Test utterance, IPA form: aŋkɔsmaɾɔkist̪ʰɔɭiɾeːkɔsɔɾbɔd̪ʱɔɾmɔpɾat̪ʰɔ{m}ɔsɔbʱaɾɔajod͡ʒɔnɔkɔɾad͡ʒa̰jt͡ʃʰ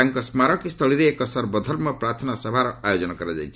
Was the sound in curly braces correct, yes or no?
no